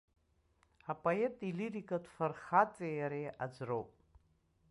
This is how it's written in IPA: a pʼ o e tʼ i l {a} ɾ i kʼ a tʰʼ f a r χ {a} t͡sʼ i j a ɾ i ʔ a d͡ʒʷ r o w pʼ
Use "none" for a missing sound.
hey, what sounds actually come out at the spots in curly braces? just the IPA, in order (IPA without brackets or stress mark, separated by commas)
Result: i, a